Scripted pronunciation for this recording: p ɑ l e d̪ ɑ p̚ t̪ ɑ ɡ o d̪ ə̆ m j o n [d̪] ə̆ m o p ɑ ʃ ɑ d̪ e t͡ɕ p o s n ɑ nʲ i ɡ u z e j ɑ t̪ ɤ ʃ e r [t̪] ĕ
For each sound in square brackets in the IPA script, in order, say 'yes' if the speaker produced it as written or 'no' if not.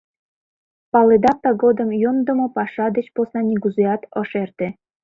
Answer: yes, yes

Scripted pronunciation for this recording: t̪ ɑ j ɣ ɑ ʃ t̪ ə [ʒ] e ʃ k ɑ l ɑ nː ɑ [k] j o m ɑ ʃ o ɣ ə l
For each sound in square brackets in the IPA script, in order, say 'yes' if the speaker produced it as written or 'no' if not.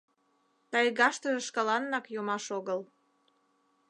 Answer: yes, yes

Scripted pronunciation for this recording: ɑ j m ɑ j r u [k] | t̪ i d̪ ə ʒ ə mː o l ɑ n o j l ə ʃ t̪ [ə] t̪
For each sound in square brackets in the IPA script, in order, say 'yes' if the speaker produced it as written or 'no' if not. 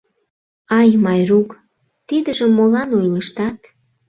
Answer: yes, no

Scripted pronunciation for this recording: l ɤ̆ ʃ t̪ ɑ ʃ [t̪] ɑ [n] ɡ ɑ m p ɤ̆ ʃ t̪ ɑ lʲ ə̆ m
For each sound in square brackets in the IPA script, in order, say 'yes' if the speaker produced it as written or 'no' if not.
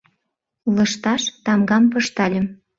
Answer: yes, no

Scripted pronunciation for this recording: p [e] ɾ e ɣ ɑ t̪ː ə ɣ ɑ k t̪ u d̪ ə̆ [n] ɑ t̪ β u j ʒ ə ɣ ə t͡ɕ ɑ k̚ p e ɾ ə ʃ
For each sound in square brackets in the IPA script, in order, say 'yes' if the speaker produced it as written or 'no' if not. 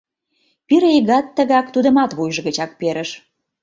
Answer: no, no

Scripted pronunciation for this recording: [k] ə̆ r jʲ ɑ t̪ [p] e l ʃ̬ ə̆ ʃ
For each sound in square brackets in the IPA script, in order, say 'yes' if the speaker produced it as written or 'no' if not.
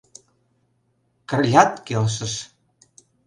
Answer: yes, no

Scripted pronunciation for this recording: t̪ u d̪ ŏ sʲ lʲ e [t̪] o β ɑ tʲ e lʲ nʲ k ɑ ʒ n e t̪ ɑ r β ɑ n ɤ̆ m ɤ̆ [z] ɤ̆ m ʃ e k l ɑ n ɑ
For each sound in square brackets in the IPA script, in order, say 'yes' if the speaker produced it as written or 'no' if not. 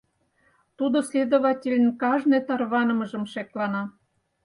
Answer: no, no

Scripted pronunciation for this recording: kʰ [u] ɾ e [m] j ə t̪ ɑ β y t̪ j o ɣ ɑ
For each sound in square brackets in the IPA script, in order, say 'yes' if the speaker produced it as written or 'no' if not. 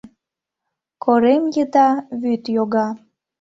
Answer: no, yes

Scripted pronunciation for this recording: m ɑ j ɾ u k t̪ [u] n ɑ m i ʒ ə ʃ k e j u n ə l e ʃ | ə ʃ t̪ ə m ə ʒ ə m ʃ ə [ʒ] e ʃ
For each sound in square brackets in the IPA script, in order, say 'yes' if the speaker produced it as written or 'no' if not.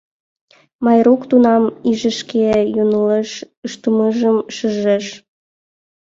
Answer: yes, yes

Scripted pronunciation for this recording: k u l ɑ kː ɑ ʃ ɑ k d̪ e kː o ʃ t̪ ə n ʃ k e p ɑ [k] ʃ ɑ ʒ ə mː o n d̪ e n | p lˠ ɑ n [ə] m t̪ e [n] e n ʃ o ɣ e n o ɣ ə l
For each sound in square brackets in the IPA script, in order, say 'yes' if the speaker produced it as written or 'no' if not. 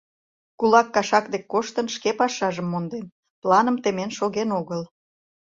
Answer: no, yes, no

